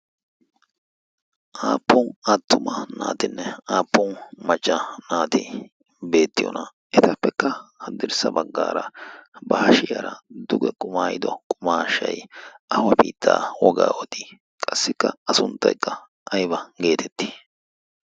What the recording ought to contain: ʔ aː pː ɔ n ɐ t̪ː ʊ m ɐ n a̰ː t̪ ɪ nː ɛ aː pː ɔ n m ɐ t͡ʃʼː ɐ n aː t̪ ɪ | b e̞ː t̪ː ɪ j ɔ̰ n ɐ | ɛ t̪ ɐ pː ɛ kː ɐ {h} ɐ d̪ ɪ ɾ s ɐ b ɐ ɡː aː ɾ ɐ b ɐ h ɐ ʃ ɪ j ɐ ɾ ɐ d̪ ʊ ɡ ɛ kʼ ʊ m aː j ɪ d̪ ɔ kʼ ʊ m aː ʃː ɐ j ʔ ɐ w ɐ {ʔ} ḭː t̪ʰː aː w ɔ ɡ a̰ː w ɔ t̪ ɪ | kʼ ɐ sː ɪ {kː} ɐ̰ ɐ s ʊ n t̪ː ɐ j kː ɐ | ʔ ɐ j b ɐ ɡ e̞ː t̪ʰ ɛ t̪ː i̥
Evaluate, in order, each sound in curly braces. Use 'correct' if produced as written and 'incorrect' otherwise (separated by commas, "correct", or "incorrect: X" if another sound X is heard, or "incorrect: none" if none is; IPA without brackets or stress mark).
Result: correct, incorrect: p, correct